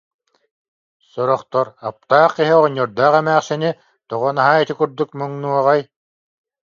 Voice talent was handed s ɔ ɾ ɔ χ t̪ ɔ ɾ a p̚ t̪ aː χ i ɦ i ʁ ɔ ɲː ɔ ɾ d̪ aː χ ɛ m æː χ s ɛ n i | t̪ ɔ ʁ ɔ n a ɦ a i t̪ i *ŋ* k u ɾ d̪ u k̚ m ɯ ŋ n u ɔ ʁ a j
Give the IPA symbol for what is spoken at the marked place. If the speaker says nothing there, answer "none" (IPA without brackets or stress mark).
none